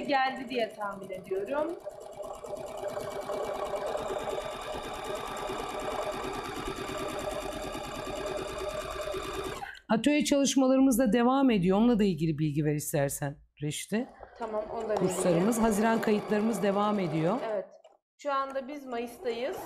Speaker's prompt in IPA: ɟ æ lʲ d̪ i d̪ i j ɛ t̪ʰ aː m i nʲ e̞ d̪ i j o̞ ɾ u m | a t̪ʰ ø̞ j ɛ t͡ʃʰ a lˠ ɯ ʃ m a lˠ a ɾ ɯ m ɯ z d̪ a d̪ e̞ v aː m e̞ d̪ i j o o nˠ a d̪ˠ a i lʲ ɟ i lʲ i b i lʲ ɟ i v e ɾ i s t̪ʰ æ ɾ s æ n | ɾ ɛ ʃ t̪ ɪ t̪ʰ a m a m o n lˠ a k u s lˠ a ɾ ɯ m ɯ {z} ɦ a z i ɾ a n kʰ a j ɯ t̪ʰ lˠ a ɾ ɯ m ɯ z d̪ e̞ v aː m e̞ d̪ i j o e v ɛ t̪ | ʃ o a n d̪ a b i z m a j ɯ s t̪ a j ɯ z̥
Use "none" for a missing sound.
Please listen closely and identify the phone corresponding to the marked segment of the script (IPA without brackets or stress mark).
z